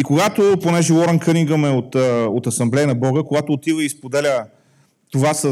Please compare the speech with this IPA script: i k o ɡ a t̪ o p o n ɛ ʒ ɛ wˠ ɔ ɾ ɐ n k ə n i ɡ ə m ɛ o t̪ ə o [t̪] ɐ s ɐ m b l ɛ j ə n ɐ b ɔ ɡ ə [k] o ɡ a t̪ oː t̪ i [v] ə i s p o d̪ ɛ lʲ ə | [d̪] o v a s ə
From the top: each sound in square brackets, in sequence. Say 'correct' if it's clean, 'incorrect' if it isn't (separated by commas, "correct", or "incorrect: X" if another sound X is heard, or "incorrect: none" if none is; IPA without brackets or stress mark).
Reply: correct, correct, correct, incorrect: t̪